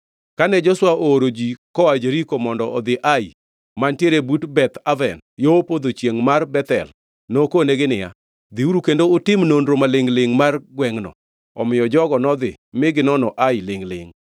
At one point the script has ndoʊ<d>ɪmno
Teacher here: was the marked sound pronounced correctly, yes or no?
no